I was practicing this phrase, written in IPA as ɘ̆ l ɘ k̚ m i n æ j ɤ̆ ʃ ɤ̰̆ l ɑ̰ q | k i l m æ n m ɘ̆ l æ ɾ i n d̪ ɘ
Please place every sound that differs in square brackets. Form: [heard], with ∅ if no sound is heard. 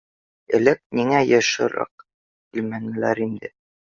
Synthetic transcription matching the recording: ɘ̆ l ɘ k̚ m i [ŋ] æ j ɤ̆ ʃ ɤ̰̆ [ɾ] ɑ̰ q | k i l m æ n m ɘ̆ l æ ɾ i n d̪ ɘ